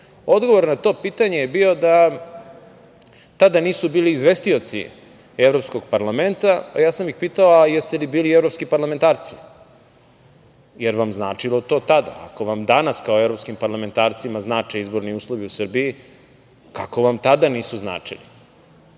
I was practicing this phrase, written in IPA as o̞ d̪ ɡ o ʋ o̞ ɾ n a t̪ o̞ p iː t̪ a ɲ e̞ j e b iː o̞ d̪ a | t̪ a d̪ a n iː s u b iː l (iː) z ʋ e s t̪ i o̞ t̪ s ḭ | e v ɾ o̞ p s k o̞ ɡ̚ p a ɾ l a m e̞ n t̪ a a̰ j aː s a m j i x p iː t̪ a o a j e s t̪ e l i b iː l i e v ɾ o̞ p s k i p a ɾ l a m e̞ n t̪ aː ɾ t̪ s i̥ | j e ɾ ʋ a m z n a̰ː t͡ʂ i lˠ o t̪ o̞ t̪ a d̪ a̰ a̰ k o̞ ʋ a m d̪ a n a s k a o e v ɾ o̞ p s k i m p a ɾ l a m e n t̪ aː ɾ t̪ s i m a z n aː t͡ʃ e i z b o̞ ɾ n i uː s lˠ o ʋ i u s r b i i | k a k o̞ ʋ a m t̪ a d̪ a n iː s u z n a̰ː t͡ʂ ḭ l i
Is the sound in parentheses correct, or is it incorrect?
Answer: correct